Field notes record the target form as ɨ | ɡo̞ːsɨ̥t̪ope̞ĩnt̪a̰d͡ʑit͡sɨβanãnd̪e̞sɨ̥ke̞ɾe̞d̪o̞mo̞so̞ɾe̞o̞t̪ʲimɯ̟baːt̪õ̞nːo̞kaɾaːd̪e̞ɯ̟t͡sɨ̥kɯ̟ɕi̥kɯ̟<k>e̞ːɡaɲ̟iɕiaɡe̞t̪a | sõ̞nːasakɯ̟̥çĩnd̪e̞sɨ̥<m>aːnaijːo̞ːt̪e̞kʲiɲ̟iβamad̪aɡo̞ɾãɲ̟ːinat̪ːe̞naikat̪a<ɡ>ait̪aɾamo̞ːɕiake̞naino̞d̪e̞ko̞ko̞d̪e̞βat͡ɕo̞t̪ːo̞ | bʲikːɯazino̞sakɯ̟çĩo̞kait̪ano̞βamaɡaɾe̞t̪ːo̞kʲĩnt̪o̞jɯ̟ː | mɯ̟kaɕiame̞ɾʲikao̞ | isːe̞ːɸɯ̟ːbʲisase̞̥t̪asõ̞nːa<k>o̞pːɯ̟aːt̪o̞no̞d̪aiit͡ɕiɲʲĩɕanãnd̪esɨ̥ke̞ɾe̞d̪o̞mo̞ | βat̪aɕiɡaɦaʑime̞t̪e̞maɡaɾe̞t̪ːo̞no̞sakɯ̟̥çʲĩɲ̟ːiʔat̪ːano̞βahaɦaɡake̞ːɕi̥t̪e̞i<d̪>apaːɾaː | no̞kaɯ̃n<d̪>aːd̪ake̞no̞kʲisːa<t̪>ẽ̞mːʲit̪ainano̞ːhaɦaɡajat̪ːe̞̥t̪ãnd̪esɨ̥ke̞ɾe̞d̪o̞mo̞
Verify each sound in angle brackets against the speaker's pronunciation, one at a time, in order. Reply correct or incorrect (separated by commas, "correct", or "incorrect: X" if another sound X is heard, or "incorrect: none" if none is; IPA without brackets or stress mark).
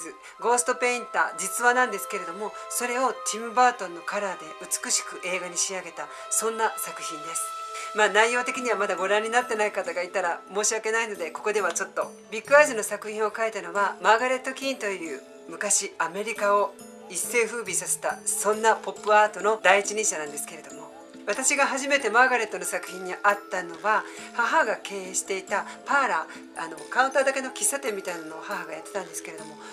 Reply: incorrect: ʔ, correct, correct, incorrect: p, incorrect: t̪, incorrect: t̪, correct